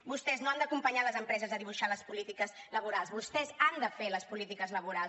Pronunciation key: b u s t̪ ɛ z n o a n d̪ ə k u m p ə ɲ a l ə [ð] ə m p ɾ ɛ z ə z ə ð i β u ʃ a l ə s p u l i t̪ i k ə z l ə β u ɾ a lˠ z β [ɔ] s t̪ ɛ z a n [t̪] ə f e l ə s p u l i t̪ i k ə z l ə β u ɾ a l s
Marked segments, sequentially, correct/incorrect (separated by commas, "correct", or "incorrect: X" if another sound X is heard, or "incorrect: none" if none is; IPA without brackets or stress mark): incorrect: z, incorrect: u, incorrect: d̪